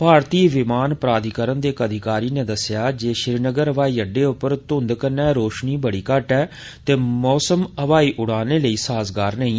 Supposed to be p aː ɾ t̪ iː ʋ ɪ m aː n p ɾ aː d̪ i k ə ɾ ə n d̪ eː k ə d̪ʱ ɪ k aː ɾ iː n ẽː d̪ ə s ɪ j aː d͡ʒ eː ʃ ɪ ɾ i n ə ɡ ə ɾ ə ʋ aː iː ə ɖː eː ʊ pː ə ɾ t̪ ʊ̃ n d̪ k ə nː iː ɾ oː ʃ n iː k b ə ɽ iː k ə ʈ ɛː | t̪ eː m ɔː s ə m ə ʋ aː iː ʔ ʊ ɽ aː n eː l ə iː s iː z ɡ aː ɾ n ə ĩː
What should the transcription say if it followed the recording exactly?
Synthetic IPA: p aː ɾ t̪ iː ʋ ɪ m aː n p ɾ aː d̪ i k ə ɾ ə n d̪ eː k ə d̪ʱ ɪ k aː ɾ iː n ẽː d̪ ə s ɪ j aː d͡ʒ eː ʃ ɪ ɾ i n ə ɡ ə ɾ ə ʋ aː iː ə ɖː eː ʊ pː ə ɾ t̪ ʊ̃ n d̪ k ə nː ɛː ɾ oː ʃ n iː b ə ɽ iː k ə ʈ ɛː | t̪ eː m ɔː s ə m ə ʋ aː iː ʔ ʊ ɽ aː n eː l ə iː s aː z ɡ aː ɾ n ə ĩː